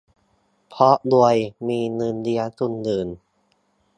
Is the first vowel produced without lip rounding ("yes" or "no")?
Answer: no